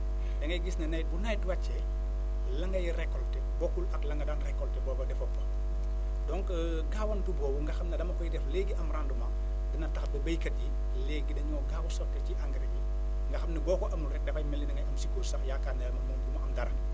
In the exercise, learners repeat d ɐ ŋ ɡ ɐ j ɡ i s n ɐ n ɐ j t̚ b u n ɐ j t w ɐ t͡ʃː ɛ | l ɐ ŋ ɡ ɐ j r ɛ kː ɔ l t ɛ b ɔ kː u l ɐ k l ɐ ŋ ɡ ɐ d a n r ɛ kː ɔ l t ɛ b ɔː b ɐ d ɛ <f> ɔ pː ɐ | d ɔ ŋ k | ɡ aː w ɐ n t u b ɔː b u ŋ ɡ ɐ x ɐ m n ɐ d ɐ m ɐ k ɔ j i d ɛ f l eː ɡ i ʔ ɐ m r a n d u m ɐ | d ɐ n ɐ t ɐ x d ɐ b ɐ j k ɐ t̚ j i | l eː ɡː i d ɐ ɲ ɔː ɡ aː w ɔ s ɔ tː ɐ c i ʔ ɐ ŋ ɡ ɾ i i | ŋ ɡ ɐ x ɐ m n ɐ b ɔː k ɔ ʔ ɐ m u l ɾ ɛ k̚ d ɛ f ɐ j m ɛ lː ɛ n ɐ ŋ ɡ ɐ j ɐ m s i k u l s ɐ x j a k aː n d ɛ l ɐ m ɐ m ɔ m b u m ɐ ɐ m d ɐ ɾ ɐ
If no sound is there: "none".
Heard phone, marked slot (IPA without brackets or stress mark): f